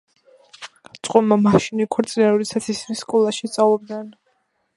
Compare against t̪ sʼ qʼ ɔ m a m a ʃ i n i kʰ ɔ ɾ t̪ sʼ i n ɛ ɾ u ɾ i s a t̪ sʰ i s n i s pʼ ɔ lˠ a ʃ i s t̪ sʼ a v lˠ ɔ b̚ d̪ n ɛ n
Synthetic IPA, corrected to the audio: t̪ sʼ qʼ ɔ m a m a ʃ i n i kʰ ɔ ɾ t̪ sʼ i n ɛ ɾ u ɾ i s a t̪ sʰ i s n i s kʼ ɔ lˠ a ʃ i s t̪ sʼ a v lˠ ɔ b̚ d̪ n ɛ n